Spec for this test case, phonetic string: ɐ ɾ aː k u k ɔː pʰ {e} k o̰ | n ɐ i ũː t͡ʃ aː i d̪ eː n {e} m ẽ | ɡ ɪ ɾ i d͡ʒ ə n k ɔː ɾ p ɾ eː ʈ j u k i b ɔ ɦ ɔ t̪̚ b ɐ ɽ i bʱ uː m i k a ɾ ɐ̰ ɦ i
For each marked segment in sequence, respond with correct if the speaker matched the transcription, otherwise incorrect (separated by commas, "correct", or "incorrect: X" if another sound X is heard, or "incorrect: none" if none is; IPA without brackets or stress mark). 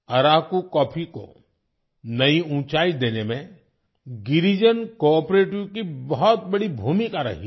incorrect: i, correct